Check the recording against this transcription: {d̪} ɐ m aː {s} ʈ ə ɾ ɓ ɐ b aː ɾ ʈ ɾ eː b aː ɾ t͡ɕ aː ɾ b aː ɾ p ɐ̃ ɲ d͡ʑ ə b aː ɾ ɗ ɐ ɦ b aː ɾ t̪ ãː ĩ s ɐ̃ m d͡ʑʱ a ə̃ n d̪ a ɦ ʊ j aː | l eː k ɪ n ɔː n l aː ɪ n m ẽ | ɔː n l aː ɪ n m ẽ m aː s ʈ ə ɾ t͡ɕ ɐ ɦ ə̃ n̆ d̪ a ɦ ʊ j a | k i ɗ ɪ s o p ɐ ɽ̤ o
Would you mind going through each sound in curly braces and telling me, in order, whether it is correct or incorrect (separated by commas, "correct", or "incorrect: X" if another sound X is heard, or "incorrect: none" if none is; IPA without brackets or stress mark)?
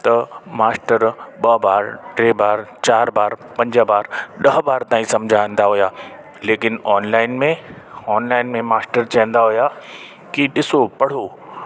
incorrect: t̪, correct